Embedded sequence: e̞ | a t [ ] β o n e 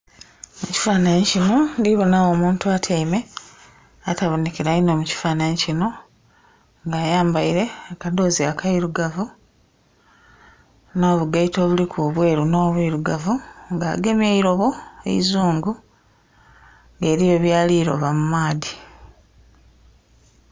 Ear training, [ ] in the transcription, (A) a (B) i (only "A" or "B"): A